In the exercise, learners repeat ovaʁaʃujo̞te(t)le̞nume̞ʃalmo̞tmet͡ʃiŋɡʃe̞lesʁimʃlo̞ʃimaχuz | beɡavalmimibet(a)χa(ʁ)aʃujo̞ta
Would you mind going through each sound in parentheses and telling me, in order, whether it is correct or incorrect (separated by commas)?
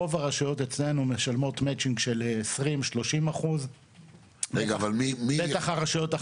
incorrect, correct, correct